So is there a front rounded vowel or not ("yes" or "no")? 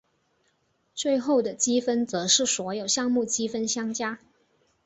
no